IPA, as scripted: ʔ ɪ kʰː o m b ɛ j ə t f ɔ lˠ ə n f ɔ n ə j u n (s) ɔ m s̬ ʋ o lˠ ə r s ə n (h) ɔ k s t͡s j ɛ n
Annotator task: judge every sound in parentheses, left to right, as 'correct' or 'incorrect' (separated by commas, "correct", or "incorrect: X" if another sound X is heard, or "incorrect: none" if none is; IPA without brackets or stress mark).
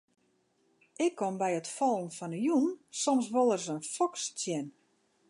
correct, incorrect: f